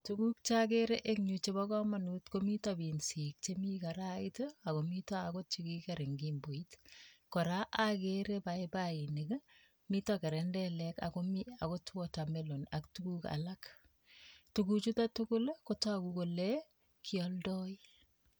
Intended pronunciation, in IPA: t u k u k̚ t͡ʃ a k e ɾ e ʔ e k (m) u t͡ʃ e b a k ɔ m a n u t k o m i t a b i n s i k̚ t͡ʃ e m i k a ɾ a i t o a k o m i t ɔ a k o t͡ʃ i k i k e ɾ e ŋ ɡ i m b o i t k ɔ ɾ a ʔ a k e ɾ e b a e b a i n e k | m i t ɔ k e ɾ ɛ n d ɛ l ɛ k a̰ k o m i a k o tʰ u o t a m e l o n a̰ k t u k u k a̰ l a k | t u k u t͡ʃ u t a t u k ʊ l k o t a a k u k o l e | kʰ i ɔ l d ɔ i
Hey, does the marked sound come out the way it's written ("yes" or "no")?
no